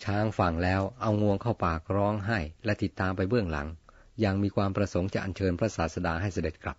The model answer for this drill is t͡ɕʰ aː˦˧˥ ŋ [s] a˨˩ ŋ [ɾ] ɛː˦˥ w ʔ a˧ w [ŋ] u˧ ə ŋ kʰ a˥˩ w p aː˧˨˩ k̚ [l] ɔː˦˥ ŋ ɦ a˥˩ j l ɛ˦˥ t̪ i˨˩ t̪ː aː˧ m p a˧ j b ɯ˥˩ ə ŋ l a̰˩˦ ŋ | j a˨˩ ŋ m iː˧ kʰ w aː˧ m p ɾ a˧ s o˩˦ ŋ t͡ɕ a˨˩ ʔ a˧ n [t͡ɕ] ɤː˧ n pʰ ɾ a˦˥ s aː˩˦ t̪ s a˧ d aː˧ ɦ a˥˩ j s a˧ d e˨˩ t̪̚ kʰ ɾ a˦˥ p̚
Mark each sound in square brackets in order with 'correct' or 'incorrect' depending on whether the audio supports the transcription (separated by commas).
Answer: incorrect, incorrect, correct, incorrect, incorrect